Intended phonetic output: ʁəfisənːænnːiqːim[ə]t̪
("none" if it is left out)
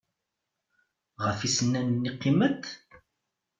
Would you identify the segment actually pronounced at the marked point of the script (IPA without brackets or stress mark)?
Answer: ə